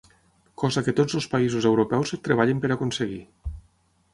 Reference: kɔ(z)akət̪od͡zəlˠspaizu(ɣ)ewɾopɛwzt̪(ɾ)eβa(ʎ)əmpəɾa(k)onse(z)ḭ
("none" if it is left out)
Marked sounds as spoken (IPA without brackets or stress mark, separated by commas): z, z, ɾ, ʎ, k, ɣ